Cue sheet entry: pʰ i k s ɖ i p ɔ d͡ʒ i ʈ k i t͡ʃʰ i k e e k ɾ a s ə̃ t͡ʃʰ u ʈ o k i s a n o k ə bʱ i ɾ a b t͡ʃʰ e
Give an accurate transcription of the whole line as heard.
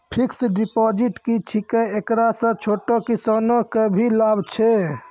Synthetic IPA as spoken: pʰ i k s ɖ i p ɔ d͡ʒ i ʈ k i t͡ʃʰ i k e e k ɾ a s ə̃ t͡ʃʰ o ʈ o k i s a n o k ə bʱ i l a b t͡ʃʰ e